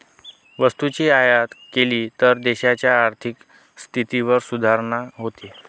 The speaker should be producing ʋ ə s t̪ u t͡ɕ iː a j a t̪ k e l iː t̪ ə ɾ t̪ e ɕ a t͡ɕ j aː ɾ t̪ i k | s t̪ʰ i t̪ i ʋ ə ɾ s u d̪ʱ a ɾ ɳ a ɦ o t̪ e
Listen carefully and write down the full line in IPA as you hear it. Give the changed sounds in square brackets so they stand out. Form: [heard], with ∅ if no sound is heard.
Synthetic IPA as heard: ʋ ə s t̪ u t͡ɕ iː a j a t̪ k e l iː t̪ ə ɾ [d̪] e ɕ a t͡ɕ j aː ɾ [t̪ʰ] i k | s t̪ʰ i t̪ i ʋ ə ɾ s u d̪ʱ a ɾ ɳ a ɦ o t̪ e